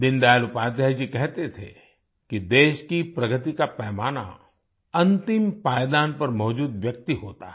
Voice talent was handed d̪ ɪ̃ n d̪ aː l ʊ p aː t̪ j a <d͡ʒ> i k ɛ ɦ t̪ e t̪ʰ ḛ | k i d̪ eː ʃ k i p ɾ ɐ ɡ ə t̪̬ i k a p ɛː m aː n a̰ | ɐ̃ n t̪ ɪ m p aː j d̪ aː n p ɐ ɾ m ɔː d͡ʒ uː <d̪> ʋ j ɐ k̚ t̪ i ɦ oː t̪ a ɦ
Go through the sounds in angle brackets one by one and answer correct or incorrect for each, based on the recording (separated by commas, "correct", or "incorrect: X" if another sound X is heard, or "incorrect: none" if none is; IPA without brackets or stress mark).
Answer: correct, correct